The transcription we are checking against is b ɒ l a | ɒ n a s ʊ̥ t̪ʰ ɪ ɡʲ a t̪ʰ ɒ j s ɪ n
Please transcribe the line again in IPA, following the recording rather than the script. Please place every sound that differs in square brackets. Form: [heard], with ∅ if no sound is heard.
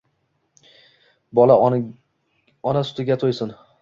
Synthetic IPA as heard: b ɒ l a | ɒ n a s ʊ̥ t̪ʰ ɪ ɡʲ a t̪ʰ [o] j s ɪ n